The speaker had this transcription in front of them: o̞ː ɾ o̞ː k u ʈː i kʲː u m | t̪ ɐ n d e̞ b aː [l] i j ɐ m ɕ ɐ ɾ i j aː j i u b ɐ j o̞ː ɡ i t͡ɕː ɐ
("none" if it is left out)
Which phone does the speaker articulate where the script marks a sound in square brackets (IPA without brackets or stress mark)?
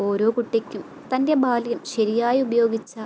l